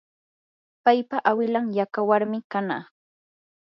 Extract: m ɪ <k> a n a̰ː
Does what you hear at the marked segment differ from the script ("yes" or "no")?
no